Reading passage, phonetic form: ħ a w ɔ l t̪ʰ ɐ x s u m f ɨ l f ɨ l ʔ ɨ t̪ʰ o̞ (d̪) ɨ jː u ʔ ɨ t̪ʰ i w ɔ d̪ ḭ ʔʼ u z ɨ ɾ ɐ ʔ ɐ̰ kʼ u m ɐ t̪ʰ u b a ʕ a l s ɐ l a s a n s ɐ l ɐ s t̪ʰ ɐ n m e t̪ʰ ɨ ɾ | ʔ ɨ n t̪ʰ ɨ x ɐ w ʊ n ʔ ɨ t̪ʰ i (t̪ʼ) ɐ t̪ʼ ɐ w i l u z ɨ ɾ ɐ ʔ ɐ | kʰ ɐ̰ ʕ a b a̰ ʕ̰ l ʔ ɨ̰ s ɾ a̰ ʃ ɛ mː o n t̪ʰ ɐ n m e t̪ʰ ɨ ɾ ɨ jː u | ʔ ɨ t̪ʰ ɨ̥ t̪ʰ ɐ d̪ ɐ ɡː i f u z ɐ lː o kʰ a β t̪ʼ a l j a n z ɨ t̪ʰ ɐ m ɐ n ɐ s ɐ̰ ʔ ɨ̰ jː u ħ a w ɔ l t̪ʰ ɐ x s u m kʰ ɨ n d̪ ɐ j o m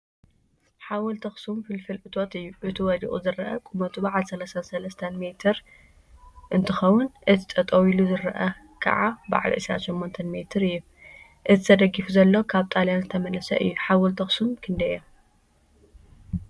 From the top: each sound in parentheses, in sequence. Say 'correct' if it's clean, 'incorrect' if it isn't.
incorrect, correct

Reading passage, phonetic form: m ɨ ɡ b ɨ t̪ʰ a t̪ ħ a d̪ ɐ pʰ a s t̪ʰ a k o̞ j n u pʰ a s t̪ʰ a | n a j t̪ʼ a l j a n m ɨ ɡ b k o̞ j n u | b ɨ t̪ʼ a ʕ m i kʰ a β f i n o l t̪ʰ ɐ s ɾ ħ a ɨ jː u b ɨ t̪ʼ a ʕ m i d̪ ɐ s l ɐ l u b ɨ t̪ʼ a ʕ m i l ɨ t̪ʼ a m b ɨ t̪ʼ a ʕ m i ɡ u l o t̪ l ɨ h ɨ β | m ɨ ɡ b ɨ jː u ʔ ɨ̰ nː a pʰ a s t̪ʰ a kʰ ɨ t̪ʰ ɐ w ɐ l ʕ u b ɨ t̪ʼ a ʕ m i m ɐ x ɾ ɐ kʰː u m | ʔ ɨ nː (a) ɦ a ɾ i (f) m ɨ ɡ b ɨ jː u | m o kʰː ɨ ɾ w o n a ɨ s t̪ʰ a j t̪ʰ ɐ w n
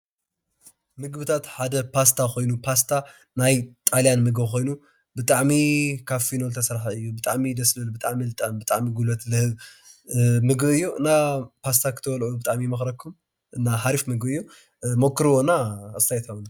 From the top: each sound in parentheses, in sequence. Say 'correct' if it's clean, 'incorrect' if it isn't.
correct, correct

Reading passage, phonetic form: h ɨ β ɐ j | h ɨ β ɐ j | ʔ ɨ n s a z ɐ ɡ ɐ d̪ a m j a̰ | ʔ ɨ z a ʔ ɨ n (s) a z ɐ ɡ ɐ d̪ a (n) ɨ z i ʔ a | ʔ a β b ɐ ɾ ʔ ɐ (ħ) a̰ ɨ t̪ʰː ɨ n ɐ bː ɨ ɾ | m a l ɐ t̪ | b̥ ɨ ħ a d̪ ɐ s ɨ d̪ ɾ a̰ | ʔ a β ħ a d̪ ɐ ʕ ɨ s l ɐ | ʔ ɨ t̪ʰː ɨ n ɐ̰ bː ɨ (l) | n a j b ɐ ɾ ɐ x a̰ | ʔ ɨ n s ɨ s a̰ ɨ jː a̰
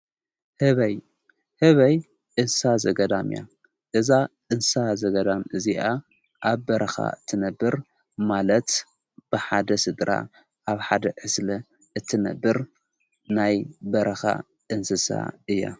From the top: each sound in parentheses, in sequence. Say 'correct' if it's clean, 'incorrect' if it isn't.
correct, incorrect, incorrect, incorrect

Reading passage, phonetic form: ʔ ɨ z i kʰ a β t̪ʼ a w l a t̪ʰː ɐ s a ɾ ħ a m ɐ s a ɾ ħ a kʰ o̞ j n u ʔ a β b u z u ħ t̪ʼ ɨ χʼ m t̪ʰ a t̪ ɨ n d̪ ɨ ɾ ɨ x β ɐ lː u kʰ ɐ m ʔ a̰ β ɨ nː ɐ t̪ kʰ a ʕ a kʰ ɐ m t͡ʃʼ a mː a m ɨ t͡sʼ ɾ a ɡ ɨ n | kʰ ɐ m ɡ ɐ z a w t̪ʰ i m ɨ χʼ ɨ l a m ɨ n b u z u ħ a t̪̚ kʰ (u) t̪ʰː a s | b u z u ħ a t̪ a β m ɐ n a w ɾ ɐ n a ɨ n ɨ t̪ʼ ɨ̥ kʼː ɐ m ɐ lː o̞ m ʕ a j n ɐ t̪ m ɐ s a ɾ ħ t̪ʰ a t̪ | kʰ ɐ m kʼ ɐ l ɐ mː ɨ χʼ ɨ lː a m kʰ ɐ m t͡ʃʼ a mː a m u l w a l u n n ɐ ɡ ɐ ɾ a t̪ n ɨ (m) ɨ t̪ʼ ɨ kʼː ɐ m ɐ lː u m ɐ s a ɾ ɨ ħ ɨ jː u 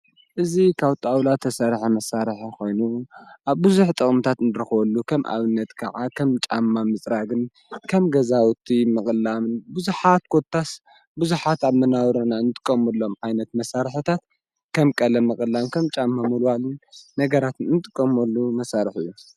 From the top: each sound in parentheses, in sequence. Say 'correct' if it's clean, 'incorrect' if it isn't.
incorrect, incorrect

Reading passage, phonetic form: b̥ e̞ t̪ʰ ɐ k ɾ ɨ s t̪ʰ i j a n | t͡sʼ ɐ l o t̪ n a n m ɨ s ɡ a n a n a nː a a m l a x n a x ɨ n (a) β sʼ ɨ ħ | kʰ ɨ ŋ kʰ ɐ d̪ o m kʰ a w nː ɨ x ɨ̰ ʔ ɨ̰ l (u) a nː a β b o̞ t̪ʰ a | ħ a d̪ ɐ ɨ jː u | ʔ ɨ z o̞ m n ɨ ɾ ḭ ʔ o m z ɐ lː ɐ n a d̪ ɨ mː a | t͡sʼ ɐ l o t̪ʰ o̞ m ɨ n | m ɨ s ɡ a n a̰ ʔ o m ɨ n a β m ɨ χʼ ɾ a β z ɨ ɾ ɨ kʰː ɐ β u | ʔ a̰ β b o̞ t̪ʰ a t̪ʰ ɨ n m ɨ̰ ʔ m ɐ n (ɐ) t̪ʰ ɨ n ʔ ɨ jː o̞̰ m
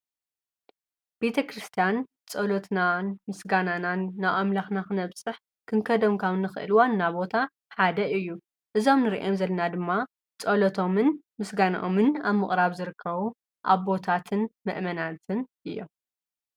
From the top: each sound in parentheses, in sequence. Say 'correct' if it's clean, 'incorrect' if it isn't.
incorrect, incorrect, incorrect

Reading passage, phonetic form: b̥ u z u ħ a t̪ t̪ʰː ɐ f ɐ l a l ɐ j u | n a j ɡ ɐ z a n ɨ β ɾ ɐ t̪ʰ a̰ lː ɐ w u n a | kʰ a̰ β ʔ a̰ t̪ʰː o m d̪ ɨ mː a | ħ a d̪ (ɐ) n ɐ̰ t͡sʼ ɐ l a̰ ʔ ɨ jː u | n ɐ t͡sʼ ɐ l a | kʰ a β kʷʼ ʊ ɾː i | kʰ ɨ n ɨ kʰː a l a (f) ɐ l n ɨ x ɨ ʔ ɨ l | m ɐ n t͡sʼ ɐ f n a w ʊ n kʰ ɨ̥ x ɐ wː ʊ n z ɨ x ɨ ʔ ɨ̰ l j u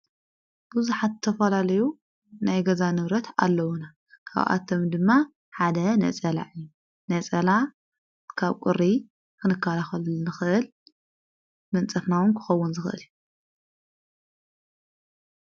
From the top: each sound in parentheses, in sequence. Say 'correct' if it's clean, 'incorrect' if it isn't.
correct, incorrect

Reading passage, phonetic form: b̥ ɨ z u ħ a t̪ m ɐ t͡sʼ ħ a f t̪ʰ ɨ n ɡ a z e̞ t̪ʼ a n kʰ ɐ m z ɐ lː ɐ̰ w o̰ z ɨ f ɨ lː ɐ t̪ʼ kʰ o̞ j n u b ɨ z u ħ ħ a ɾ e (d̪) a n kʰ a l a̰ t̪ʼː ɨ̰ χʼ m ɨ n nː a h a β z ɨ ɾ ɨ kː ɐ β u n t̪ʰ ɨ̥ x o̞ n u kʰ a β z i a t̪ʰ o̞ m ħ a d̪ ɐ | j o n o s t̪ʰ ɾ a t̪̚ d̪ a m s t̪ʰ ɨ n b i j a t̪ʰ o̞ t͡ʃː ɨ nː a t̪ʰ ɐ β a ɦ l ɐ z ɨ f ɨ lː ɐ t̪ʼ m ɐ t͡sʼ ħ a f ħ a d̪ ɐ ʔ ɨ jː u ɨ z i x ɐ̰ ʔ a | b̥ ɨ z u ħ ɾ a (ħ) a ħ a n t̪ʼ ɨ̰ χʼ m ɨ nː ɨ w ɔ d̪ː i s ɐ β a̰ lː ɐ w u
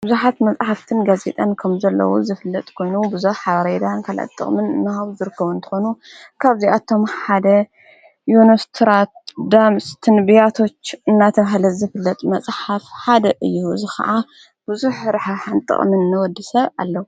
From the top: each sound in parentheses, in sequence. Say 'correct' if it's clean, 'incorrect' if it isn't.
correct, correct

